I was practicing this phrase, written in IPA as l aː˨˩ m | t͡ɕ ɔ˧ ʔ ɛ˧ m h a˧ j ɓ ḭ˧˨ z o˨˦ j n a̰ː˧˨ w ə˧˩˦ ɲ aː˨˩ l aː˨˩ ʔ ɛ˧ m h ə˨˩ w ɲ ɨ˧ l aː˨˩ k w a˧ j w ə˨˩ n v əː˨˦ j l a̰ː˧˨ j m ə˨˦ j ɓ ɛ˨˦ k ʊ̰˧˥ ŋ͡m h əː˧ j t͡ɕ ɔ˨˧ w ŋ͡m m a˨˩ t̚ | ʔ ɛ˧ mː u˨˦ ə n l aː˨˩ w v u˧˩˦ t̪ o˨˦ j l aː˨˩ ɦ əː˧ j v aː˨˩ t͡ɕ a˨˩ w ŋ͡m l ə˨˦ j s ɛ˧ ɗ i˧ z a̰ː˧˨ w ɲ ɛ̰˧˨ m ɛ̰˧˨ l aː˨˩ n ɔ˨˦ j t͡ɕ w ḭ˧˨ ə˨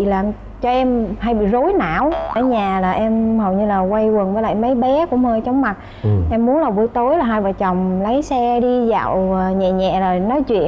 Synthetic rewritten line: l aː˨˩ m | t͡ɕ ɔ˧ ʔ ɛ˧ m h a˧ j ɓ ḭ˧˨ z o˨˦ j n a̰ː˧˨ w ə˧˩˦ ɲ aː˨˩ l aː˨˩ ʔ ɛ˧ m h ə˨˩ w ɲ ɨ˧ l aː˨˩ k w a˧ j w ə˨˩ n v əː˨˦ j l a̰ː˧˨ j m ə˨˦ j ɓ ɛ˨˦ k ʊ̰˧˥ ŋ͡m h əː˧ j t͡ɕ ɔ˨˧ w ŋ͡m m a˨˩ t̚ | ʔ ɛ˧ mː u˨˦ ə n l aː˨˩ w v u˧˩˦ t̪ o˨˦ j l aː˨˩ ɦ aː˧ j v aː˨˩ t͡ɕ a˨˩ w ŋ͡m l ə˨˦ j s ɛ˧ ɗ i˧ z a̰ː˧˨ w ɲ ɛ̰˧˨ ɲ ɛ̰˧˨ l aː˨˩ n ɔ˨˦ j t͡ɕ w ḭ˧˨ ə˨